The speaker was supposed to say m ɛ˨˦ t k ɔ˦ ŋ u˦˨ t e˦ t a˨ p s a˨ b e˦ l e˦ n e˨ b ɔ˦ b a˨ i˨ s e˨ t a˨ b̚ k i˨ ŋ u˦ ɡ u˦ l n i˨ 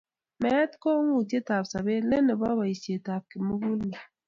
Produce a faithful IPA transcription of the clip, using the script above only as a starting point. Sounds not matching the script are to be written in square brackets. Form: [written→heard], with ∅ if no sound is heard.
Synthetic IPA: m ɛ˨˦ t k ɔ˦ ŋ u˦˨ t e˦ t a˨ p s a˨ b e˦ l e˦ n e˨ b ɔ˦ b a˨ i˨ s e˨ t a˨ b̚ k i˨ [ŋ→m] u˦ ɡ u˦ l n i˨